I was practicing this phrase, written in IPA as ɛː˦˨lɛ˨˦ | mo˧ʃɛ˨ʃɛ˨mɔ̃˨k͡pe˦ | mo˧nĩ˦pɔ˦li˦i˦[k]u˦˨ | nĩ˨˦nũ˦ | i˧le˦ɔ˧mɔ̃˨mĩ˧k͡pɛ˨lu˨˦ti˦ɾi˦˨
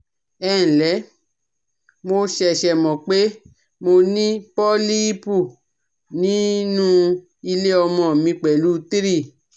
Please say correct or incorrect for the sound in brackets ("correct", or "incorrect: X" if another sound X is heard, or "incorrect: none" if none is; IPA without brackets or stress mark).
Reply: incorrect: p